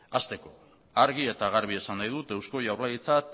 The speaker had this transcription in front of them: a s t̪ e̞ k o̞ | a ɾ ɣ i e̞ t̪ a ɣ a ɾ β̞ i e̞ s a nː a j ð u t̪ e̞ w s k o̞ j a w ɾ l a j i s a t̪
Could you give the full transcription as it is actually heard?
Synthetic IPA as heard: a s t̪ e̞ k o̞ | a ɾ ɣ i e̞ t̪ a ɣ a ɾ β̞ i e̞ s a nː a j ð u t̪ e̞ w s k o̞ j a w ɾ l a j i t͡s a t̪